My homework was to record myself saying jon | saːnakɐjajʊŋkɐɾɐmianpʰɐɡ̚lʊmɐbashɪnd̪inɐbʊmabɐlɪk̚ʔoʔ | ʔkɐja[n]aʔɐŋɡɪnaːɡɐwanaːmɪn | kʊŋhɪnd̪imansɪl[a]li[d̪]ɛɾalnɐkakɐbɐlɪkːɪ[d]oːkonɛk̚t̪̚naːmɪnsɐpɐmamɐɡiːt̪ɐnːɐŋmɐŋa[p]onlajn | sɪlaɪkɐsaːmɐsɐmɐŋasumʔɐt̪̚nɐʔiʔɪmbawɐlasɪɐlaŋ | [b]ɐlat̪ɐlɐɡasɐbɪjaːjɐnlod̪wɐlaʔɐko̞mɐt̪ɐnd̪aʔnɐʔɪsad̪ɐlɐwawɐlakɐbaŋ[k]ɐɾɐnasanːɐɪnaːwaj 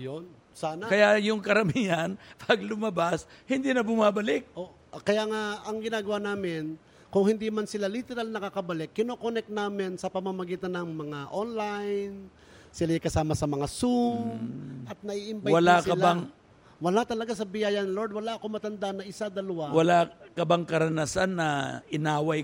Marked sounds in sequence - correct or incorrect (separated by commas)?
incorrect, correct, incorrect, incorrect, incorrect, incorrect, correct